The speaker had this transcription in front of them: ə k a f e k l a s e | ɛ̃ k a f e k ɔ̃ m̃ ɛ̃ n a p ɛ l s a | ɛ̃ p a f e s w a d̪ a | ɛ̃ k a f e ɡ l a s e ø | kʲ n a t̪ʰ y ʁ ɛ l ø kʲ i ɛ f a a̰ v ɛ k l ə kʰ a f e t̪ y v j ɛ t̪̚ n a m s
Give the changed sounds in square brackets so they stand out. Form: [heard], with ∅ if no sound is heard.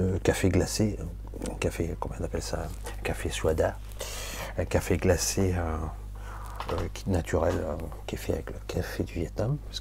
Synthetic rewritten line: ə k a f e [ɡ] l a s e | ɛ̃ k a f e k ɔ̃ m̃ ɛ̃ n a p ɛ l s a | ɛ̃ [k] a f e s w a d̪ a | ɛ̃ k a f e ɡ l a s e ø | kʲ n a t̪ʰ y ʁ ɛ l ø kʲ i ɛ f [ɛ] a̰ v ɛ k l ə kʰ a f e [d̪] y v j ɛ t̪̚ n a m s